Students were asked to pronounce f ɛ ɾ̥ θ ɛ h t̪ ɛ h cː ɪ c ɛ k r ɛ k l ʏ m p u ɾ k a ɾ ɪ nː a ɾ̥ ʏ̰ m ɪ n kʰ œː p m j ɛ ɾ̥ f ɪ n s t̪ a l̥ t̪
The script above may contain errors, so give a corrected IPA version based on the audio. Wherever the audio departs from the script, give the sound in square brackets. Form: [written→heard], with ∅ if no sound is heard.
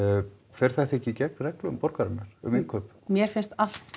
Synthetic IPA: f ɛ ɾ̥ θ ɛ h t̪ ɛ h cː ɪ c ɛ k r ɛ k l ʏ m p [u→ɔ] ɾ k a ɾ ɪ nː a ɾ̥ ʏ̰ m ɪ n kʰ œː p m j ɛ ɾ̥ f ɪ n s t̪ a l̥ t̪